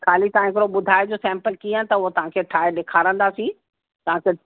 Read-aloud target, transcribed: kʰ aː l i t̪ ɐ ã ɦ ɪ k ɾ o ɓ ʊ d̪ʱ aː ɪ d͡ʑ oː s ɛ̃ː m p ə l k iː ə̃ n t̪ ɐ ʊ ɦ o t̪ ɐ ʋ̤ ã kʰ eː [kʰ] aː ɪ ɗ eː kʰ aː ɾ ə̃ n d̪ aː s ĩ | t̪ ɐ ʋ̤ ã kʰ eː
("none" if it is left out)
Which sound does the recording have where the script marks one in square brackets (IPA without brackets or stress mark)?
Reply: ʈʰ